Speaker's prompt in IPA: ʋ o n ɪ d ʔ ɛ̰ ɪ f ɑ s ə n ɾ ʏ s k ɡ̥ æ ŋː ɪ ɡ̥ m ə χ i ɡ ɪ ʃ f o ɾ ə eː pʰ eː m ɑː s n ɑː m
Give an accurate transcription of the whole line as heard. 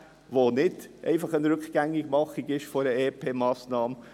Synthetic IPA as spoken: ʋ o n ɪ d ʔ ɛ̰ ɪ f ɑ χ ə n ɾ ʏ k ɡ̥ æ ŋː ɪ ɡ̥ m ɑ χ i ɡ ɪ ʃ f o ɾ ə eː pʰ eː m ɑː s n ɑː m